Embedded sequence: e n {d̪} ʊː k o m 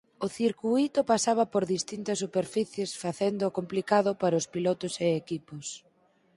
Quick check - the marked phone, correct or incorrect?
correct